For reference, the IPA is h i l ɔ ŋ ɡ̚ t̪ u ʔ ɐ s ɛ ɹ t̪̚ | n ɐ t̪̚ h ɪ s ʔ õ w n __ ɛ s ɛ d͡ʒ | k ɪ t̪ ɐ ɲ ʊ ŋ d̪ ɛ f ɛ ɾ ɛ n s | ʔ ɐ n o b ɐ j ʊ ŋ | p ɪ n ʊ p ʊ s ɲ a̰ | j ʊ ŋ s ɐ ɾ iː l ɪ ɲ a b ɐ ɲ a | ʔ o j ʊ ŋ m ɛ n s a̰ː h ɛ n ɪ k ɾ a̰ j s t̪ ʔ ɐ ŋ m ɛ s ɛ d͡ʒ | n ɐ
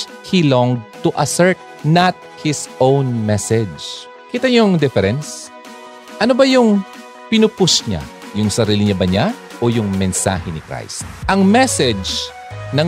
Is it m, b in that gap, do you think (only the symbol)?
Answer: m